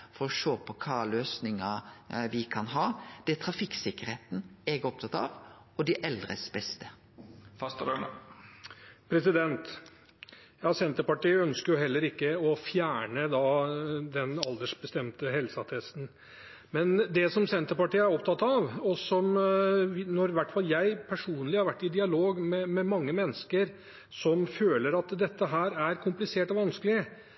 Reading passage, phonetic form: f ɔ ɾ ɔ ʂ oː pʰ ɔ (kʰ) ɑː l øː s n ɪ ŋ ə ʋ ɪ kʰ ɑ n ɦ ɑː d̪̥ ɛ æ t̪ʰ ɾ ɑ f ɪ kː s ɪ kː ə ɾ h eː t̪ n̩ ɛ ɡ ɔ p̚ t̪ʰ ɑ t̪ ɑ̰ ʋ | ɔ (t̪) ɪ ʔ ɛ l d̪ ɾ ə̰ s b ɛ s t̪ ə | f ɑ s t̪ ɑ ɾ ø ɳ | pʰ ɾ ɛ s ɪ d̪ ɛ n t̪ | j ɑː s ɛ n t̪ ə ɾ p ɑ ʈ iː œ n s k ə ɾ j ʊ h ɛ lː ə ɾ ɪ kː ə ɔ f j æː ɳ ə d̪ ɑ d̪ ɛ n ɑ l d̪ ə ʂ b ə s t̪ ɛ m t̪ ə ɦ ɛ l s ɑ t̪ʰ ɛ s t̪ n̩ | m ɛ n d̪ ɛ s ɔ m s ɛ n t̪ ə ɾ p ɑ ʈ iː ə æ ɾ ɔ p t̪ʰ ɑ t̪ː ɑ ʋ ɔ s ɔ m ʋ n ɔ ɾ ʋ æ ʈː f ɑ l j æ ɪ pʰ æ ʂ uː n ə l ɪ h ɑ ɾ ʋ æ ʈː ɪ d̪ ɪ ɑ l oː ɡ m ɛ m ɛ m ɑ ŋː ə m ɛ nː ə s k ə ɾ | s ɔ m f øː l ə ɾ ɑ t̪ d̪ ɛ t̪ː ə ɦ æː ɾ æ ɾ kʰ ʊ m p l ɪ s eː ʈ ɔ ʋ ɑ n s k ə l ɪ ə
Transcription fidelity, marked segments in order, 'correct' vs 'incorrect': correct, incorrect: d̪

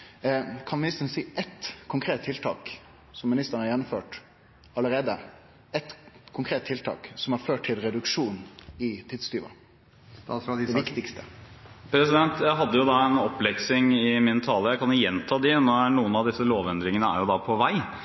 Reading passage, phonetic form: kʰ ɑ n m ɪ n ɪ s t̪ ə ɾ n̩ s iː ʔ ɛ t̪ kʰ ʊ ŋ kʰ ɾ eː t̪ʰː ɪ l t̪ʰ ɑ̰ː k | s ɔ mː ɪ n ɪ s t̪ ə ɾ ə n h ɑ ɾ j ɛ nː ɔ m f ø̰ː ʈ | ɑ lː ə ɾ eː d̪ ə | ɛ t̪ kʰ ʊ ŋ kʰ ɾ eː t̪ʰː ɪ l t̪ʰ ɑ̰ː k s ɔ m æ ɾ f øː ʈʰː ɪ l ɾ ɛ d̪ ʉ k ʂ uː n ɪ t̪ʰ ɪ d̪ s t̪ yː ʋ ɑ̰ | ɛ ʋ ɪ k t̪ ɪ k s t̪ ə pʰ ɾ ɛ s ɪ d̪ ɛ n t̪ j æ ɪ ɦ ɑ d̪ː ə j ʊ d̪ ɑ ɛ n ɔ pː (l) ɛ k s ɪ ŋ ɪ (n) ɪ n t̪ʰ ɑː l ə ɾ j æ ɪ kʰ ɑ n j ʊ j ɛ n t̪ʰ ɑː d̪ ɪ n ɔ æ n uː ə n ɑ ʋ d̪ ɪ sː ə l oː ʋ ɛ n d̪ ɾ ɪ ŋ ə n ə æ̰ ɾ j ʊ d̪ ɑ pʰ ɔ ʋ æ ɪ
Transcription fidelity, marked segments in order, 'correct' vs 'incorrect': correct, incorrect: m

